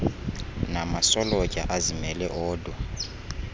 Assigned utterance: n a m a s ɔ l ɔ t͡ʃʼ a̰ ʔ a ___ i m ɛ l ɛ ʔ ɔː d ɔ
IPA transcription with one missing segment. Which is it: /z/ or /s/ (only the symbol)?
z